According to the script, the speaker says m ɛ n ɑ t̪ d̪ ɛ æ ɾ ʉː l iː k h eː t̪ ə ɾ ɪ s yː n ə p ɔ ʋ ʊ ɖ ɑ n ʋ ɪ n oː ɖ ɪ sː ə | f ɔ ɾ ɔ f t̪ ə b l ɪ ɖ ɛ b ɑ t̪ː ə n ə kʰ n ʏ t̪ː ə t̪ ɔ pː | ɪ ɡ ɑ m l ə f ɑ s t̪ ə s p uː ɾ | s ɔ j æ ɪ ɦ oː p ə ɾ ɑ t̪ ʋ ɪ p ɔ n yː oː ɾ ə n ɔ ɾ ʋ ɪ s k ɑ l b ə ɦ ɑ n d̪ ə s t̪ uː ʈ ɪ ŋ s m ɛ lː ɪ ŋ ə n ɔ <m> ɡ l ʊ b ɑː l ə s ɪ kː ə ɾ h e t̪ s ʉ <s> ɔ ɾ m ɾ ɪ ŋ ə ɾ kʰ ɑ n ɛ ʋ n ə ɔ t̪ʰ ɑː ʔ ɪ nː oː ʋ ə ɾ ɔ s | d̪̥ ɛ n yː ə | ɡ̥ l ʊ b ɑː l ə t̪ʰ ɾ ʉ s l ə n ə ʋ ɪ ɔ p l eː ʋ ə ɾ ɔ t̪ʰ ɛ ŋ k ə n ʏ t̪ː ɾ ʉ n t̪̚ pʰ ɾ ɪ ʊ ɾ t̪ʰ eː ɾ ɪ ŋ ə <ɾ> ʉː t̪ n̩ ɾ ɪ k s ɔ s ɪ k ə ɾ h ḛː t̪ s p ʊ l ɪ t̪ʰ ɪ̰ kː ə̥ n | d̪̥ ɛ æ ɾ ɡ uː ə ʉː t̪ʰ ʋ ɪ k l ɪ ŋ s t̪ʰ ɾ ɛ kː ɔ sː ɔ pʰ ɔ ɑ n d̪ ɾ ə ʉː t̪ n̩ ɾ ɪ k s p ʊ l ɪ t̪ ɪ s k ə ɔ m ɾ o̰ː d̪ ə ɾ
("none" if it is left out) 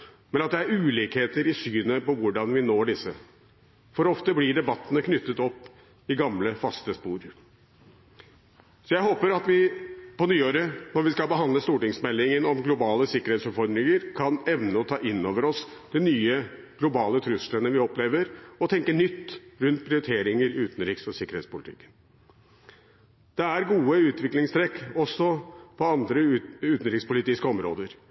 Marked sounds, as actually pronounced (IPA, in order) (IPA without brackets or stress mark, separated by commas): m, f, ɾ